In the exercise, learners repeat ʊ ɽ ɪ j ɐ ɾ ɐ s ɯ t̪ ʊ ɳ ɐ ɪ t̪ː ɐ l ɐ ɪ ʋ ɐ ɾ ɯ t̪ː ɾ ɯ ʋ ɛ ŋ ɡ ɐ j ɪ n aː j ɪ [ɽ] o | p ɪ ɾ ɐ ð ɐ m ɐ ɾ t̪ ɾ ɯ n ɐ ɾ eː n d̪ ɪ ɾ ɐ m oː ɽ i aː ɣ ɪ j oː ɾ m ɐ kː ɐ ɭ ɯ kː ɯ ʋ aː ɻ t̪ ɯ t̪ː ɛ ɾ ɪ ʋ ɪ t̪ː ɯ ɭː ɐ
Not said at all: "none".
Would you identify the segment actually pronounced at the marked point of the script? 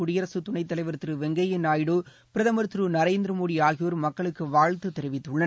ɽ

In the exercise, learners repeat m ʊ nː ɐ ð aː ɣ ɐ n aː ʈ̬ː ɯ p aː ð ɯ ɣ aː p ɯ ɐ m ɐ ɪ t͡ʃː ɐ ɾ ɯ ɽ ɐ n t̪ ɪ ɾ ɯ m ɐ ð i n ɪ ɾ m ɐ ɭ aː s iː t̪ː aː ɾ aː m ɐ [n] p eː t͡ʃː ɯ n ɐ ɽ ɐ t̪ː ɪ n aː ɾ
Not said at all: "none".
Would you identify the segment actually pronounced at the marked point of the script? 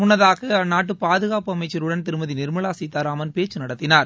n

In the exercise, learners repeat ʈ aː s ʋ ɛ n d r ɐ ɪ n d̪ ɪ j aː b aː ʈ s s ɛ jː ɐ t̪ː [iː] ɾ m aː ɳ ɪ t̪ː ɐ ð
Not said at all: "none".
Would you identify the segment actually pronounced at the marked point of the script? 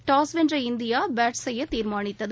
iː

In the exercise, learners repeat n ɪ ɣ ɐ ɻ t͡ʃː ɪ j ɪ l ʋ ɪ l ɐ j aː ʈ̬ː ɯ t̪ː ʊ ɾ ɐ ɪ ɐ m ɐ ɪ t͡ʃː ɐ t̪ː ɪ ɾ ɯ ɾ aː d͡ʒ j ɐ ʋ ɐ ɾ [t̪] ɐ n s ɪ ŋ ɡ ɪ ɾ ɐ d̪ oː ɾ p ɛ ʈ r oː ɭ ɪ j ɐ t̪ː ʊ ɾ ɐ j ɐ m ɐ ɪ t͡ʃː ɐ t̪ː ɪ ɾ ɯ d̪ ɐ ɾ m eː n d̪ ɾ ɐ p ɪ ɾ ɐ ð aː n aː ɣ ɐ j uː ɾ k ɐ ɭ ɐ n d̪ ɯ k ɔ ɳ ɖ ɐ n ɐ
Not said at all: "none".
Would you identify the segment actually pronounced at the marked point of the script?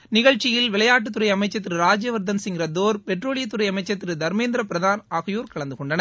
d̪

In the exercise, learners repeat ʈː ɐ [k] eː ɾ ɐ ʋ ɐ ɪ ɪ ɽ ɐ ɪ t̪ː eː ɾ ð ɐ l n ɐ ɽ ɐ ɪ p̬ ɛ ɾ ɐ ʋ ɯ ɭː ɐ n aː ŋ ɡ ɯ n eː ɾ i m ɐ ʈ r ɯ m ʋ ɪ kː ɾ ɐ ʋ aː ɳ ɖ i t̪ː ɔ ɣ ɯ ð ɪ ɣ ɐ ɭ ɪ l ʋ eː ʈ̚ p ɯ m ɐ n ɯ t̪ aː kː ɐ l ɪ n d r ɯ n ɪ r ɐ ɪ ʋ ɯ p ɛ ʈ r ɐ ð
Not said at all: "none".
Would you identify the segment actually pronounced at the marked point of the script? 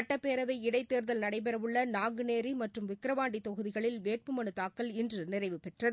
p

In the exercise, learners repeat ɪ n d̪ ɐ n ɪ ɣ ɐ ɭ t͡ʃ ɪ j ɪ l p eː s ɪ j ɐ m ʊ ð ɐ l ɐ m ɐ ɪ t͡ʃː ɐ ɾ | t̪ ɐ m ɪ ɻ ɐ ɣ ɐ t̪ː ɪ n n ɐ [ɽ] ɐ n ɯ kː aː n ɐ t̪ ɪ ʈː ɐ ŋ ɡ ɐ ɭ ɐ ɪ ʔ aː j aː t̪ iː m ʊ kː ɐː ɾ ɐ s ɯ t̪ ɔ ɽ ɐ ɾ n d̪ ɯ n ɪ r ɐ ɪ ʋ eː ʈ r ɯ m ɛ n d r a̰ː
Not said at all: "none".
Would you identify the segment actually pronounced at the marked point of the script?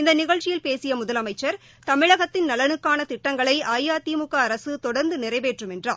l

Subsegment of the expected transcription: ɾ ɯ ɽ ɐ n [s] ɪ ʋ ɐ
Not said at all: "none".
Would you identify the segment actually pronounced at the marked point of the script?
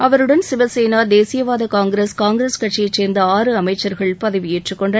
s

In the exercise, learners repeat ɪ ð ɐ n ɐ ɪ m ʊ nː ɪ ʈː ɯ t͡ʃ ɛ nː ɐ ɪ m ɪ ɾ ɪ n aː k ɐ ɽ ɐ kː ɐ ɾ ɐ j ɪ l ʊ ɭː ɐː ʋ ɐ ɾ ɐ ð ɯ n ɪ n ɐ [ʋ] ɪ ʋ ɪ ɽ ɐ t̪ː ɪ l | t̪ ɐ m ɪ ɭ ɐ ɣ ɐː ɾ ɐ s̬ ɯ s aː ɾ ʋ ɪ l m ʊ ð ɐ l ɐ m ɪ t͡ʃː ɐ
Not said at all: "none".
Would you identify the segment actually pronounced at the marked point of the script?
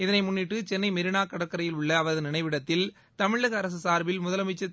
none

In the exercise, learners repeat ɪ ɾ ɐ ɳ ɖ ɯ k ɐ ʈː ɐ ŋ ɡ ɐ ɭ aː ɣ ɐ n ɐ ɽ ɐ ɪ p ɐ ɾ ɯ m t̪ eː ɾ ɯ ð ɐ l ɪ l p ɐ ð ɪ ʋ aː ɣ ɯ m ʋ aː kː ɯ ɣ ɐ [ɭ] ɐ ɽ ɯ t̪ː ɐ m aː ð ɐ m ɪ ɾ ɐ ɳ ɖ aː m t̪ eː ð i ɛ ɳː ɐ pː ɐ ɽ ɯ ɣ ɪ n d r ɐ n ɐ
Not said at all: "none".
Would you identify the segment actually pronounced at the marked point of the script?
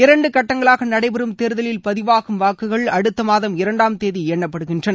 ɭ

